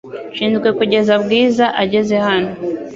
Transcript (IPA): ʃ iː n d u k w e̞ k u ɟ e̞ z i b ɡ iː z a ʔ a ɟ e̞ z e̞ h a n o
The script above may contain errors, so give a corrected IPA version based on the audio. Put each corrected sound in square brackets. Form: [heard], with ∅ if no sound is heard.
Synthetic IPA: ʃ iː n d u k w e̞ k u ɟ e̞ z [a] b ɡ iː z a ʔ a ɟ e̞ z e̞ h a n o